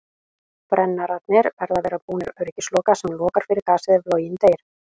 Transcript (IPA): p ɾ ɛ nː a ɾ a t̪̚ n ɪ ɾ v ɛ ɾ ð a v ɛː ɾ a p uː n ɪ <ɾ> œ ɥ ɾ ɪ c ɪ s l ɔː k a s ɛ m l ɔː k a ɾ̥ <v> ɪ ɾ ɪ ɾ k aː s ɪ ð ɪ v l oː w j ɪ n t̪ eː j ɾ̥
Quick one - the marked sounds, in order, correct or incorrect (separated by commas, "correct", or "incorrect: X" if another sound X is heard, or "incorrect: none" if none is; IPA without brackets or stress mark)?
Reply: correct, incorrect: f